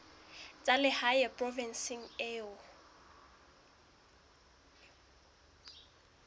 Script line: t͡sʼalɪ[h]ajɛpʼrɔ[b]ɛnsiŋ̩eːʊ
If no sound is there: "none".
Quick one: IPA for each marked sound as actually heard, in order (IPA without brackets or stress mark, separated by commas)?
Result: h, v